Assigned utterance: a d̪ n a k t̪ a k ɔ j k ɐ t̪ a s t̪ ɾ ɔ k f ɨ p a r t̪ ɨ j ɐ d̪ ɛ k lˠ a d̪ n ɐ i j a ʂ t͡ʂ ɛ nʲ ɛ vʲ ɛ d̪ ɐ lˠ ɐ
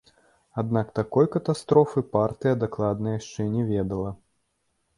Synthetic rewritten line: a d̪ n a k t̪ a k ɔ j k ɐ t̪ a s t̪ ɾ ɔ f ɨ p a r t̪ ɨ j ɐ d̪ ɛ k lˠ a d̪ n ɐ j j a ʂ t͡ʂ ɛ nʲ ɛ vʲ ɛ d̪ ɐ lˠ ɐ